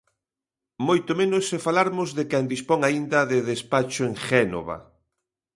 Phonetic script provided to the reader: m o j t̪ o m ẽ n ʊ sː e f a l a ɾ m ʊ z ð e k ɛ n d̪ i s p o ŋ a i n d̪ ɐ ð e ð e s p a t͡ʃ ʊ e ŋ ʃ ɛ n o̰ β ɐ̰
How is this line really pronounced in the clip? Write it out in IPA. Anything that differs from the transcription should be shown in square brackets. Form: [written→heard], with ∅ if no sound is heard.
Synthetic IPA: m o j t̪ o m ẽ n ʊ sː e f a l a ɾ m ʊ z ð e k ɛ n d̪ i s p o ŋ a i n d̪ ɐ ð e ð e s p a t͡ʃ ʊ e ŋ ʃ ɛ n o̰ β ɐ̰